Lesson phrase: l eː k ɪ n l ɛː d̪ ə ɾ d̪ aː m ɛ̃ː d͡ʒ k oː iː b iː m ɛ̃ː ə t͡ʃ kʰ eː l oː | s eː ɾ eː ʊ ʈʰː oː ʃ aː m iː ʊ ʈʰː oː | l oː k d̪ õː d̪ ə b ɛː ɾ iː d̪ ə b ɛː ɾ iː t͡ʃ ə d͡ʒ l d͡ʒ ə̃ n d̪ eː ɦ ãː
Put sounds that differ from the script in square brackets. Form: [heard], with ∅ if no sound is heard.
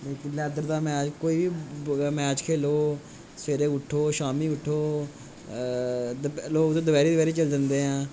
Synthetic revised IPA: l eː k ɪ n l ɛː d̪ ə ɾ d̪ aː m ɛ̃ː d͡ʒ k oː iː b iː m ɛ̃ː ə t͡ʃ kʰ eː l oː | s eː ɾ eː ʊ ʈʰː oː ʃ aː m iː ʊ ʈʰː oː | l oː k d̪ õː d̪ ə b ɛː ɾ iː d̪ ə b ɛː ɾ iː t͡ʃ ə [∅] l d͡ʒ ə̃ n d̪ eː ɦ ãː